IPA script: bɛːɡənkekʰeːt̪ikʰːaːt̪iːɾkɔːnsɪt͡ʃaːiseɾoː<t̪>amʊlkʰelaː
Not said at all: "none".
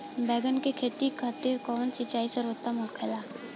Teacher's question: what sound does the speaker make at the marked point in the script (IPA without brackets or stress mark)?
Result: t̪